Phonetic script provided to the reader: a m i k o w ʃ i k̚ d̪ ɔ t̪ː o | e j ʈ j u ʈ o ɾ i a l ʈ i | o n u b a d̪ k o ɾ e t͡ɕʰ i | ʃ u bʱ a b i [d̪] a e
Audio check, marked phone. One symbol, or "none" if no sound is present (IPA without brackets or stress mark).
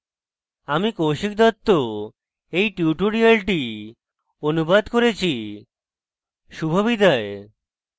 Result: d̪